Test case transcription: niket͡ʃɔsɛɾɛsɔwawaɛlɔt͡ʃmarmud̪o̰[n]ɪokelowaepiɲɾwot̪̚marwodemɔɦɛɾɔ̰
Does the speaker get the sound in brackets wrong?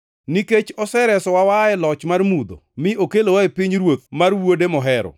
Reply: yes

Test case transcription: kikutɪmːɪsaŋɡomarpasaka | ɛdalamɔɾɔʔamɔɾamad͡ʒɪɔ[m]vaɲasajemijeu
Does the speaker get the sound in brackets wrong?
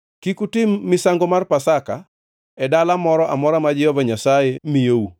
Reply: yes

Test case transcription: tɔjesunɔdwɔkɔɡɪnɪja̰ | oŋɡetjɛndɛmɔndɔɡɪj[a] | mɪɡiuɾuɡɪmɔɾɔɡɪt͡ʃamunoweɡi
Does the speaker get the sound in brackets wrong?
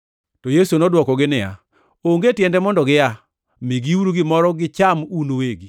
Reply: no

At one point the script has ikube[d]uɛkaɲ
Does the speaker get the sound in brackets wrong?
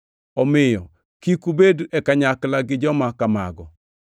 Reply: no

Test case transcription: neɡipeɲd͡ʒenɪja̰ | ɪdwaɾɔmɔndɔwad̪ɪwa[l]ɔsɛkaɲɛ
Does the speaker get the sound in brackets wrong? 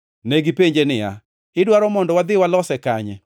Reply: no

